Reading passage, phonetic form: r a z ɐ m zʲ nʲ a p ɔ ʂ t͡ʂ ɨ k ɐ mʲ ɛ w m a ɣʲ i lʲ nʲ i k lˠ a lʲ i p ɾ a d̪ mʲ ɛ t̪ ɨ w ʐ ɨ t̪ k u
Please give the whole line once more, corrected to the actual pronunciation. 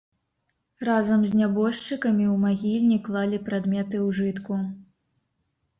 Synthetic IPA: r a z ɐ m zʲ nʲ a b ɔ ʂ t͡ʂ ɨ k ɐ mʲ i w m a ɣʲ i lʲ nʲ i k lˠ a lʲ i p ɾ a d̪ mʲ ɛ t̪ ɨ w ʐ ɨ t̪ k u